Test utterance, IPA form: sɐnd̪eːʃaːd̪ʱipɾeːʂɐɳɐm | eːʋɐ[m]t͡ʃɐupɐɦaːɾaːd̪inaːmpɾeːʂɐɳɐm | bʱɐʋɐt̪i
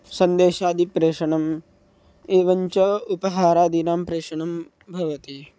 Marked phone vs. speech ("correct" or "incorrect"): incorrect